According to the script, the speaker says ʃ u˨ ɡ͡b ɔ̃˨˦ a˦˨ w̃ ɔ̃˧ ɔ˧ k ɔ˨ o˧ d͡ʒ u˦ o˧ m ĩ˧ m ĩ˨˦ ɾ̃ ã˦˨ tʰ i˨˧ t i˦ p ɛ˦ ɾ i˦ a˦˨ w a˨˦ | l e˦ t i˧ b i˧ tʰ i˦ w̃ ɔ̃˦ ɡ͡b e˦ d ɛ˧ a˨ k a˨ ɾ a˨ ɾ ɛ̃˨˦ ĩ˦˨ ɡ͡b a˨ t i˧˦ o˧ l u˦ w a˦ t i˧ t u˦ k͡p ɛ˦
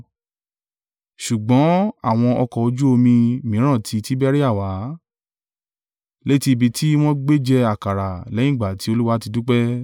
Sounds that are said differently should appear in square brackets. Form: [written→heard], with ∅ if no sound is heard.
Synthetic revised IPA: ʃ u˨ ɡ͡b ɔ̃˨˦ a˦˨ w̃ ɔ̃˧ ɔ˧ k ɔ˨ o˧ d͡ʒ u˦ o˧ m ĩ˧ m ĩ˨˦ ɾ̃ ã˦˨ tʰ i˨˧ t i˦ [p→b] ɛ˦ ɾ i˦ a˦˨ w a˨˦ | l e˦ t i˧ b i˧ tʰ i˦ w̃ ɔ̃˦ ɡ͡b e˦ [d→d͡ʒ] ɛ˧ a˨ k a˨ ɾ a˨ [ɾ→l] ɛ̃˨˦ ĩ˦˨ ɡ͡b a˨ t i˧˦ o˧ l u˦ w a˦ t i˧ [t→d] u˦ k͡p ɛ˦